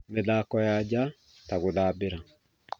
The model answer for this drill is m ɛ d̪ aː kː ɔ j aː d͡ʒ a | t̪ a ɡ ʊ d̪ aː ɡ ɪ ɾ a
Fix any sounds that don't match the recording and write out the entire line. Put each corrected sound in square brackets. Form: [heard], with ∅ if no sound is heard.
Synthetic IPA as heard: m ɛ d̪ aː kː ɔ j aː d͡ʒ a | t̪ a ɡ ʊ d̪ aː [b] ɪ ɾ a